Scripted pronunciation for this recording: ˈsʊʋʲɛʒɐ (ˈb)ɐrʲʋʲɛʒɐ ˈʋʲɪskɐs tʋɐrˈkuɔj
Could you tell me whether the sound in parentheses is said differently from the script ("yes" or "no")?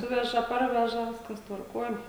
yes